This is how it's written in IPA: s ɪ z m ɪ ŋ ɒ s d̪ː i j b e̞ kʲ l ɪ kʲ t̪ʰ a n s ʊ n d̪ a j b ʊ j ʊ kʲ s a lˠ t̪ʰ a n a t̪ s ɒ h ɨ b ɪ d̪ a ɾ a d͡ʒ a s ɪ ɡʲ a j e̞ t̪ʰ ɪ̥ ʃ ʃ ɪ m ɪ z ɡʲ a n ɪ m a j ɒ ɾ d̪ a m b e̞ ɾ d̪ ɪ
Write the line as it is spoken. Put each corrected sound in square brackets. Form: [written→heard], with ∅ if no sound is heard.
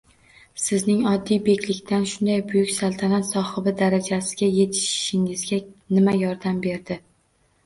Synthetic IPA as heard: s ɪ z [m→n] ɪ ŋ ɒ [s→∅] d̪ː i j b e̞ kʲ l ɪ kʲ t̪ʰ a n [s→ʃ] ʊ n d̪ a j b ʊ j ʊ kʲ s a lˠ t̪ʰ a n a t̪ s ɒ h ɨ b ɪ d̪ a ɾ a d͡ʒ a s ɪ ɡʲ a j e̞ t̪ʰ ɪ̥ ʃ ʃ ɪ [m→ŋ] ɪ z ɡʲ a n ɪ m a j ɒ ɾ d̪ a m b e̞ ɾ d̪ ɪ